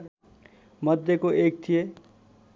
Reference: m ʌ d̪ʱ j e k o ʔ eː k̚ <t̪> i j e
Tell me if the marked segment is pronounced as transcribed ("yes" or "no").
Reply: no